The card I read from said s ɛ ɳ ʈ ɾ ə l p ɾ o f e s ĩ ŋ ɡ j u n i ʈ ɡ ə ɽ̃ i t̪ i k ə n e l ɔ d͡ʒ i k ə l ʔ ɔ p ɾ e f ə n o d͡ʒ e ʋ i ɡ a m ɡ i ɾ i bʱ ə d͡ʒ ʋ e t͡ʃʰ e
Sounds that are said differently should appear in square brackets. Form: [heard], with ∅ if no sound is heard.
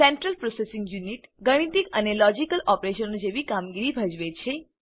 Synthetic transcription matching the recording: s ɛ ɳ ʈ ɾ ə l p ɾ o [s] e s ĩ ŋ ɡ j u n i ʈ ɡ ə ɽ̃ i t̪ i k ə n e l ɔ d͡ʒ i k ə l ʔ ɔ p ɾ e [ʃ] ə n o d͡ʒ e ʋ i [k] a m ɡ i ɾ i bʱ ə d͡ʒ ʋ e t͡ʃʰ e